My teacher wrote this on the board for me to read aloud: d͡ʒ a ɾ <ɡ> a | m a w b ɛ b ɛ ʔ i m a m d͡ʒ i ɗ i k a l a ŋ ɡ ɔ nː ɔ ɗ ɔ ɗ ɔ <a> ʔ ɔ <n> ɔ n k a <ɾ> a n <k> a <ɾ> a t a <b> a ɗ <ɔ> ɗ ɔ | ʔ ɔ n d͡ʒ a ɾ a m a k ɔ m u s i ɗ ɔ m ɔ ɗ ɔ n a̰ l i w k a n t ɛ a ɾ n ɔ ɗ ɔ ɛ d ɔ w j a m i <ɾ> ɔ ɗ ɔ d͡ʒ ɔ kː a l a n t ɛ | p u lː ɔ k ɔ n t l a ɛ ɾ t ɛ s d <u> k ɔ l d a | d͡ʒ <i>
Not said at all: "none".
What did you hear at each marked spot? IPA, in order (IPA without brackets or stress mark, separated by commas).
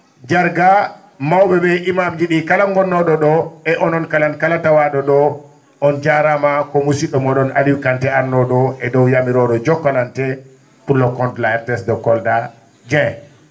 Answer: ɡ, ɛ, n, l, k, l, w, ɔ, ɾ, ɔ, ɛ